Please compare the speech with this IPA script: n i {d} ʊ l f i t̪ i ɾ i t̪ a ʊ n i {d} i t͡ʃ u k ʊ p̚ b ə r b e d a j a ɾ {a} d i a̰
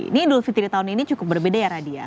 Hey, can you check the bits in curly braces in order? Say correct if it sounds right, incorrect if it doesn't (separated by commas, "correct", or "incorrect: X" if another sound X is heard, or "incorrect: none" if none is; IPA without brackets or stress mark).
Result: correct, incorrect: n, correct